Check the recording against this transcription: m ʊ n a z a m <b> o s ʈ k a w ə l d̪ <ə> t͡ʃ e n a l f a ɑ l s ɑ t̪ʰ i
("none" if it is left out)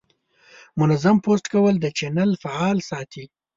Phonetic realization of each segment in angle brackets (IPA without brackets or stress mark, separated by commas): p, ə